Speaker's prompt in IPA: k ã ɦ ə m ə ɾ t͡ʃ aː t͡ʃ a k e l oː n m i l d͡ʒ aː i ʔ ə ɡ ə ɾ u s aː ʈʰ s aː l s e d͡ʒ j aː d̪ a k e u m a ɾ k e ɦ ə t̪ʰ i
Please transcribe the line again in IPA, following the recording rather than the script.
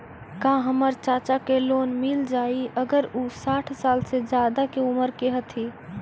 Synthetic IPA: k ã ɦ ə m ə ɾ t͡ʃ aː t͡ʃ a k e l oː n m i l d͡ʒ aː i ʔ ə ɡ ə ɾ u s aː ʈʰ s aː l s e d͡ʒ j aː d̪ a k e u m ə ɾ k e ɦ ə t̪ʰ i